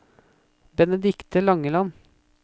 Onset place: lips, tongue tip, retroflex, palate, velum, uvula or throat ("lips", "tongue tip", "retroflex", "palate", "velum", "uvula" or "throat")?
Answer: lips